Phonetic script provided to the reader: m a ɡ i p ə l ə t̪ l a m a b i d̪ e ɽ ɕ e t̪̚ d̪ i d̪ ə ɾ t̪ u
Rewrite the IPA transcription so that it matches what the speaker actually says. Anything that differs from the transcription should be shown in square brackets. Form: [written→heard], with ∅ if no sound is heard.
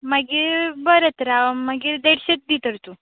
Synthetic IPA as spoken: m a ɡ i [p→b] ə [l→ɾ] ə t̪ [l→ɾ] a m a [b→ɡ] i d̪ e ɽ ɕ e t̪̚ d̪ i [d̪→t̪] ə ɾ t̪ u